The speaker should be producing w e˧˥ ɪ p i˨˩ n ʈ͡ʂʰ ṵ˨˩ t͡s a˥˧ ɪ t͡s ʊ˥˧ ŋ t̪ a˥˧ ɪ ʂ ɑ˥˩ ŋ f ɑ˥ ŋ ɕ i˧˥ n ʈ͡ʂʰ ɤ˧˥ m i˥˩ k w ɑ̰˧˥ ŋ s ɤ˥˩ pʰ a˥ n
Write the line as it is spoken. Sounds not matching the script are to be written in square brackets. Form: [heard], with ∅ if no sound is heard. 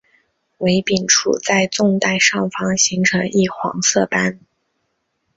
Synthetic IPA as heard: w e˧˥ ɪ p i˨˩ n ʈ͡ʂʰ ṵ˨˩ t͡s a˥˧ ɪ t͡s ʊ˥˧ ŋ t̪ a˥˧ ɪ ʂ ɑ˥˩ ŋ f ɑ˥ ŋ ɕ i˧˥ [ŋ] ʈ͡ʂʰ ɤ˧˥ [ŋ] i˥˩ [x] w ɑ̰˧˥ ŋ s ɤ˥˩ [p] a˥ n